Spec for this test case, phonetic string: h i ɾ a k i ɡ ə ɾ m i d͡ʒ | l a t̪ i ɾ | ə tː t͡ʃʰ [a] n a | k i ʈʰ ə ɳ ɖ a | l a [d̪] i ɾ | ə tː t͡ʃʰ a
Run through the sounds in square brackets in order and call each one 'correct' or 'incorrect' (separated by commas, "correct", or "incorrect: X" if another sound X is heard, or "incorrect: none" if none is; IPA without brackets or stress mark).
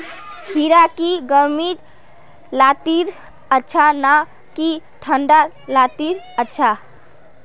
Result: correct, incorrect: t̪